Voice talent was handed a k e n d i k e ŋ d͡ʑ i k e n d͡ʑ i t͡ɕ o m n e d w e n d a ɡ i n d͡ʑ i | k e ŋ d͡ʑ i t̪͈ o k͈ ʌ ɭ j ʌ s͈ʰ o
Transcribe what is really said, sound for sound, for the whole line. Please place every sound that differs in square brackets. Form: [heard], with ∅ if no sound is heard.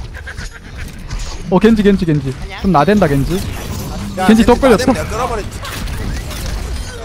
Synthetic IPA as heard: [ʌ] k e n [d͡ʑ] i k e [n] d͡ʑ i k e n d͡ʑ i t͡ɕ o m n [a] d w e n d a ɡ [e] n d͡ʑ i | k e [n] d͡ʑ i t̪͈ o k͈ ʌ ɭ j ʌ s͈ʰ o